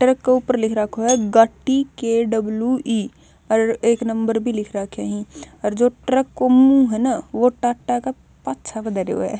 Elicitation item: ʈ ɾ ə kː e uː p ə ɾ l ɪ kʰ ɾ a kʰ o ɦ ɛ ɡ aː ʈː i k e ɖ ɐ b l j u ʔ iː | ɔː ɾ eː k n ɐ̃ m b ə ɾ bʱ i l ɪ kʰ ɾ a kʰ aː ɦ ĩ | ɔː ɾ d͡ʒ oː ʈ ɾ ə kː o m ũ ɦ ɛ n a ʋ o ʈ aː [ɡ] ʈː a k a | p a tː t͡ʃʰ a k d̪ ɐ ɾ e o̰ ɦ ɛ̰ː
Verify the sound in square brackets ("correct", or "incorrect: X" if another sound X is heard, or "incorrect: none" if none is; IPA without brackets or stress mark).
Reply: incorrect: none